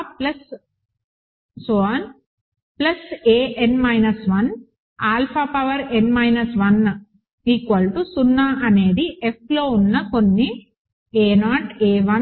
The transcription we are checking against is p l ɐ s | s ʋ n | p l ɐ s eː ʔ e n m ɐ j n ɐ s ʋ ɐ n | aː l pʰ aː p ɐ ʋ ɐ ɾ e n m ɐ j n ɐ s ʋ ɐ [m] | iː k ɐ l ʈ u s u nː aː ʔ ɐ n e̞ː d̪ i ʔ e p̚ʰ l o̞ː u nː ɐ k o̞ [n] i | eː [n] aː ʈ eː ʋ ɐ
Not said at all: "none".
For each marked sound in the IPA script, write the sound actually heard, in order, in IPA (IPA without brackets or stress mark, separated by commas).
n, nː, n